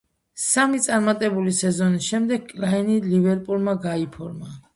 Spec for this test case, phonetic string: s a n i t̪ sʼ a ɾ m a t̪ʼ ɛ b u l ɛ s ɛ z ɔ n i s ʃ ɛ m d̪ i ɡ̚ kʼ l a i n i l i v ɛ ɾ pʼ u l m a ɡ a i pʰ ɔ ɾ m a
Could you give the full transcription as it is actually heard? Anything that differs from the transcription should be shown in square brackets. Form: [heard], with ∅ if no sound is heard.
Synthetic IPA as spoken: s a [m] i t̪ sʼ a ɾ m a t̪ʼ ɛ b u l [i] s ɛ z ɔ n i s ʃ ɛ m d̪ [ɛ] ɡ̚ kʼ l a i n i l i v ɛ ɾ pʼ u l m a ɡ a i pʰ ɔ ɾ m a